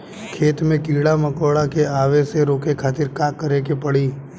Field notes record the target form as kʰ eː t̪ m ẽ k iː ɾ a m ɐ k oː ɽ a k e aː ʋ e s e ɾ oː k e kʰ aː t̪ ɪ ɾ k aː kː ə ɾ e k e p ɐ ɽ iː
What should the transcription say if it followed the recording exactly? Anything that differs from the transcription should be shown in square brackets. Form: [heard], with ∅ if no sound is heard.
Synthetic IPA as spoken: kʰ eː t̪ m ẽ k iː [ɽ] a m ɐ k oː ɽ a k e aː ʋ e s e ɾ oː k e kʰ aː t̪ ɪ ɾ k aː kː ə ɾ e k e p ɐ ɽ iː